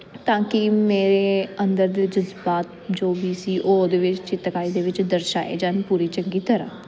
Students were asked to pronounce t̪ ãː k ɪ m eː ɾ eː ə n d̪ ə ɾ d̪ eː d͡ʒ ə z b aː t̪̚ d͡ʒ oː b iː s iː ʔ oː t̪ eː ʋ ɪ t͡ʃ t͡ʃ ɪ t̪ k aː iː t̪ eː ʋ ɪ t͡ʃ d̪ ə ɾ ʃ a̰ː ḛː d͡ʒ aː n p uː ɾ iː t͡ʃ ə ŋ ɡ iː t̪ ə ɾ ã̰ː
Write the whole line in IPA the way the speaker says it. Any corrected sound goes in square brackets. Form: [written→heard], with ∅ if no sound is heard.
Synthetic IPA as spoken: t̪ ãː k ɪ m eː ɾ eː ə n d̪ ə ɾ d̪ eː d͡ʒ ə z b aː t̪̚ d͡ʒ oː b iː s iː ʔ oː [t̪→d̪] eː ʋ ɪ t͡ʃ t͡ʃ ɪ t̪ k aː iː [t̪→d̪] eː ʋ ɪ t͡ʃ d̪ ə ɾ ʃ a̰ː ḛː d͡ʒ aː n p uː ɾ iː t͡ʃ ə ŋ ɡ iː t̪ ə ɾ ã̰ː